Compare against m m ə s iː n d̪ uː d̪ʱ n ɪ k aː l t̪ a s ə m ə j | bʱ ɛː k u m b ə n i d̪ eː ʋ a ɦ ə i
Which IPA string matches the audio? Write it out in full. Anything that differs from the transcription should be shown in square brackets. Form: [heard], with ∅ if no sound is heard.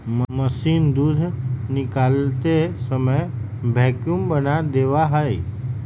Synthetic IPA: m m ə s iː n d̪ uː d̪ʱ n ɪ k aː l t̪ [e] s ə m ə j | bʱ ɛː k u m b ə n [a] d̪ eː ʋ a ɦ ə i